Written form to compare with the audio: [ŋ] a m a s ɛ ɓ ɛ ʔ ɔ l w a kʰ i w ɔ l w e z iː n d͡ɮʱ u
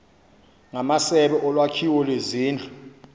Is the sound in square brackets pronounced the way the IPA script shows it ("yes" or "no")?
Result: yes